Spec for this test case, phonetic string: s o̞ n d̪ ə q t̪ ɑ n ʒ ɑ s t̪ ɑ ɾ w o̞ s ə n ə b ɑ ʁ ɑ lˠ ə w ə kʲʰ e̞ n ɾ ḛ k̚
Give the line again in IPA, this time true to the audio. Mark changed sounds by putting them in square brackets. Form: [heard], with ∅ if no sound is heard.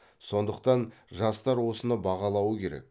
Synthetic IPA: s o̞ n d̪ ə q t̪ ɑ n ʒ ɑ s t̪ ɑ ɾ w o̞ s ə n ə b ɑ ʁ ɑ lˠ [ɑ] w ə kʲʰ e̞ [∅] ɾ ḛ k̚